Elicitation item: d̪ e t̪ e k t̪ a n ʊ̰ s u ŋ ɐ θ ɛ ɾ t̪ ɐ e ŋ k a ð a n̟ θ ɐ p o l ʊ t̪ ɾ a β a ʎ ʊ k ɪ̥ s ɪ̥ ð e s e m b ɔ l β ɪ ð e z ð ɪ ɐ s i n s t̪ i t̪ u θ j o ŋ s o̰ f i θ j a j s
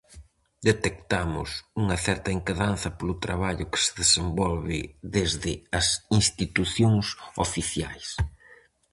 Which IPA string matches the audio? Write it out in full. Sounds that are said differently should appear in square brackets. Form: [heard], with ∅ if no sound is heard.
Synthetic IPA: d̪ e t̪ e k t̪ a [m] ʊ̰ s u ŋ ɐ θ ɛ ɾ t̪ ɐ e ŋ k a ð a n̟ θ ɐ p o l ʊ t̪ ɾ a β a ʎ ʊ k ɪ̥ s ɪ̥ ð e s e m b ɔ l β ɪ ð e z ð ɪ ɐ s i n s t̪ i t̪ u θ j o ŋ s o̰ f i θ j a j s